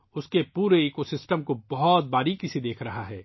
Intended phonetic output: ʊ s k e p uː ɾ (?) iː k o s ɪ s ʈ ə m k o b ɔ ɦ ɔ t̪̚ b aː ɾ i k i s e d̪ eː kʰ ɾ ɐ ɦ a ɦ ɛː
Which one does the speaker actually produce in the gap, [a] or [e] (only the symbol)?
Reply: e